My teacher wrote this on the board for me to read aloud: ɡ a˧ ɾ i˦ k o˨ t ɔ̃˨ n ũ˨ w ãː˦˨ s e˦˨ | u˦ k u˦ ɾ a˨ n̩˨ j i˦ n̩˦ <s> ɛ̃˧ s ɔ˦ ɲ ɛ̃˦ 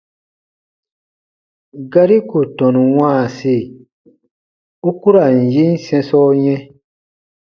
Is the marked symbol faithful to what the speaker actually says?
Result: yes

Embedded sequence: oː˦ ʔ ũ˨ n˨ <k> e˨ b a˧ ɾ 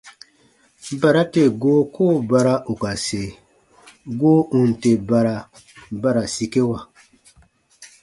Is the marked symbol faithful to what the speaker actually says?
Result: no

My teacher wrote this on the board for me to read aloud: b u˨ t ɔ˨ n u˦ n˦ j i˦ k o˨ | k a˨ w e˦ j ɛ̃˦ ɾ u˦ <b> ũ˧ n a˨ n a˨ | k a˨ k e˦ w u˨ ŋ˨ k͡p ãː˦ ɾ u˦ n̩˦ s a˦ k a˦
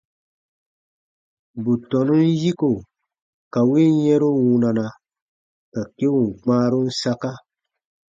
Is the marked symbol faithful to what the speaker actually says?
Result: no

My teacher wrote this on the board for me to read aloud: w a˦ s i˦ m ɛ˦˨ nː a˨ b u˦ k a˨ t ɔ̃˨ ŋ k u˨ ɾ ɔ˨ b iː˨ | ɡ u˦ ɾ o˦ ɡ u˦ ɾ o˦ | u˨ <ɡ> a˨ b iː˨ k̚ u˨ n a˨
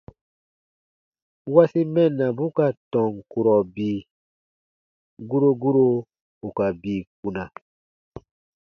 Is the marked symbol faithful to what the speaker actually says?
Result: no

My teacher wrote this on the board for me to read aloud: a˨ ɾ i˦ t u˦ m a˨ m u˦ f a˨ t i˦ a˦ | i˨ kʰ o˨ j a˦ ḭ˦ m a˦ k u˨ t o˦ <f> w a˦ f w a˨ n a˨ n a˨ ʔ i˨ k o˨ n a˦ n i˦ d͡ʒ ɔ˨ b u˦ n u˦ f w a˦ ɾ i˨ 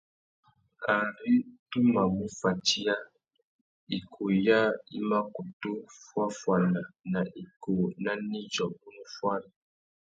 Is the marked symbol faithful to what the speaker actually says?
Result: yes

